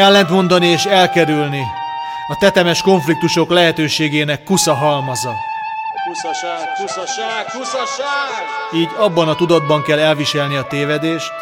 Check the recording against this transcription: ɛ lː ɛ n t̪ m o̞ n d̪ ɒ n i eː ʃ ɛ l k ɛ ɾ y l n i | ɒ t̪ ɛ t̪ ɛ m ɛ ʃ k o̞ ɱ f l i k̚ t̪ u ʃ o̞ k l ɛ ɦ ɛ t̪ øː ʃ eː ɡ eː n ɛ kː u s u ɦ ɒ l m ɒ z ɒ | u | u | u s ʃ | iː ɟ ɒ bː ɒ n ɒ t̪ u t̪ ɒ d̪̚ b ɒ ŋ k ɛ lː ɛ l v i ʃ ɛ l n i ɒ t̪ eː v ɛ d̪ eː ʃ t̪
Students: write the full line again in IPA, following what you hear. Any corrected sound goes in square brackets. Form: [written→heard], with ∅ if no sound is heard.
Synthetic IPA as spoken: ɛ lː ɛ n t̪ m o̞ n d̪ ɒ n i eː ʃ ɛ l k ɛ ɾ y l n i | ɒ t̪ ɛ t̪ ɛ m ɛ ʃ k o̞ ɱ f l i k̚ t̪ u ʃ o̞ k l ɛ ɦ ɛ t̪ øː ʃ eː ɡ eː n ɛ kː u s [u→ɒ] ɦ ɒ l m ɒ z ɒ | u | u | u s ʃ | iː ɟ ɒ bː ɒ n ɒ t̪ u [t̪→d̪] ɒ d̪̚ b ɒ ŋ k ɛ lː ɛ l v i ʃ ɛ l n i ɒ t̪ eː v ɛ d̪ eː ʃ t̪